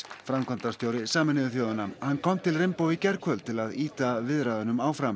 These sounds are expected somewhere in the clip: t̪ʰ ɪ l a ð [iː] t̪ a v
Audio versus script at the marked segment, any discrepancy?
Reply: no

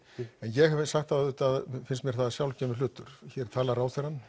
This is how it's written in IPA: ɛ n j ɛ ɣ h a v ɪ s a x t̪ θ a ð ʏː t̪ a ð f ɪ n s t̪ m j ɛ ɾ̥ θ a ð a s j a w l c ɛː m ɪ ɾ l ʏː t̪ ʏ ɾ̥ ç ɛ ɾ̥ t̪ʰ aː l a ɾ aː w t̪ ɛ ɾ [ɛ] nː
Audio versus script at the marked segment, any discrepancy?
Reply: yes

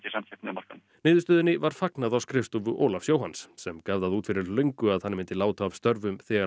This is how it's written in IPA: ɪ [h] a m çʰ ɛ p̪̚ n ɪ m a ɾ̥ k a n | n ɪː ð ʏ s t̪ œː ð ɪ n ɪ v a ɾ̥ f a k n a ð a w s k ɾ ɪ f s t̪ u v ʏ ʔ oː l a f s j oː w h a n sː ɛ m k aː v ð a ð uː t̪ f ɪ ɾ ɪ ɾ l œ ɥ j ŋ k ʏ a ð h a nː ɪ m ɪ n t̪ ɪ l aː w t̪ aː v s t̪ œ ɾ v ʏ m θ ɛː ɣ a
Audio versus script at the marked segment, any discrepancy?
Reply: yes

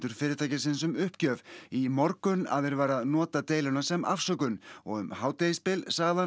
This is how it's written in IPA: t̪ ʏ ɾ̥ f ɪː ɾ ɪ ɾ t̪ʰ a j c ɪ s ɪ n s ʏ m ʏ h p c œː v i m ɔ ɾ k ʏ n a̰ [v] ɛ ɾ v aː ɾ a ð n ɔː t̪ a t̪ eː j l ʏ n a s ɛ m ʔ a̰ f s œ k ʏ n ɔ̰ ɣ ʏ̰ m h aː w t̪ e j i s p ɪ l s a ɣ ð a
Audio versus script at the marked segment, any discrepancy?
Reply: yes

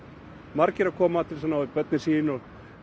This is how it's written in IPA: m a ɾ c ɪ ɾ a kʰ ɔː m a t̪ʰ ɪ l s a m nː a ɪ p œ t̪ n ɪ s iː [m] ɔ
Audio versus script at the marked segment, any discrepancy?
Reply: yes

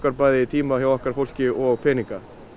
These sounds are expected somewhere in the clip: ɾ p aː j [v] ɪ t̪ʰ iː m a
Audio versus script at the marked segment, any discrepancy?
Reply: yes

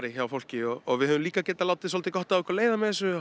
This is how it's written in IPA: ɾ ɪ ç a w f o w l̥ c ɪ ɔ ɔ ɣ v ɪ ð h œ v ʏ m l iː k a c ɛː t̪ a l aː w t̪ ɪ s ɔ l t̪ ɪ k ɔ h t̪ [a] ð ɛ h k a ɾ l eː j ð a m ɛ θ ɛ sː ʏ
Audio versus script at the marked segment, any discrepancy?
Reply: no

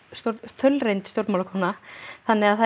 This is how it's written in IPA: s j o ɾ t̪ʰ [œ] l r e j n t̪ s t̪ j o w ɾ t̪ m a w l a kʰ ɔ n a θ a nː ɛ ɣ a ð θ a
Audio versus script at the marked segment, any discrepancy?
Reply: no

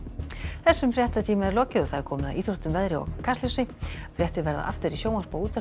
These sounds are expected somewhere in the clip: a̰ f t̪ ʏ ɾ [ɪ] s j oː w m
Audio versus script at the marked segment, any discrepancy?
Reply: yes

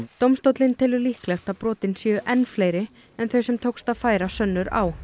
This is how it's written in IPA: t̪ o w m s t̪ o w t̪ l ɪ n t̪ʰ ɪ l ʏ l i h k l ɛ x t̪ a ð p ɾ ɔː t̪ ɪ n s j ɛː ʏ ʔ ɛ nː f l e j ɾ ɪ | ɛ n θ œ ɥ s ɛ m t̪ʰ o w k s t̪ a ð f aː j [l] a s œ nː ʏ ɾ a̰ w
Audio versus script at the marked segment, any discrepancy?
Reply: yes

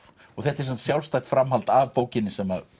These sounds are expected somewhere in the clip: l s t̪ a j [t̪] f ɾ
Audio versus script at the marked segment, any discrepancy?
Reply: no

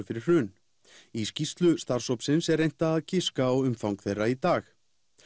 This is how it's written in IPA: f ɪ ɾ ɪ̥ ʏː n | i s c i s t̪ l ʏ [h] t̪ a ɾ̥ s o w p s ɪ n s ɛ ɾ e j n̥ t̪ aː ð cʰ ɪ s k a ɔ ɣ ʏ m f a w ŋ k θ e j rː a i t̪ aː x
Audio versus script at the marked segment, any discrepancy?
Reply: yes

